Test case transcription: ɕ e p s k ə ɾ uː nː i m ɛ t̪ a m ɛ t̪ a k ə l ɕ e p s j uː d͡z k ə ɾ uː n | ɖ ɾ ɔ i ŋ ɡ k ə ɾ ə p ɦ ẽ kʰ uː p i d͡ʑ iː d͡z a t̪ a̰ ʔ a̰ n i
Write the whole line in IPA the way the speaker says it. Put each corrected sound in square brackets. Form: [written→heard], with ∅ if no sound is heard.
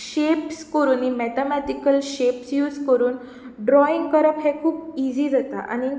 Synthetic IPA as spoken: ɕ e p s k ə ɾ uː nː i m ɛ t̪ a m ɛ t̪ [a→i] k ə l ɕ e p s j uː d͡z k ə ɾ uː n | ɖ ɾ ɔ i ŋ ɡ k ə ɾ ə p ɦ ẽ kʰ uː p i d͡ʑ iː d͡z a t̪ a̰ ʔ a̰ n i